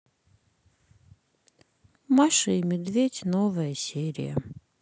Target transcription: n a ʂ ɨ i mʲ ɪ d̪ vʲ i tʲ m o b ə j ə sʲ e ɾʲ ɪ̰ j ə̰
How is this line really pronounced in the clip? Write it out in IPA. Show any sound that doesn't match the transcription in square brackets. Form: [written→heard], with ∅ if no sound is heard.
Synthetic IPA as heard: [n→m] a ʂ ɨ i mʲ ɪ d̪ vʲ [i→e] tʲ [m→n] o [b→v] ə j ə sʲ e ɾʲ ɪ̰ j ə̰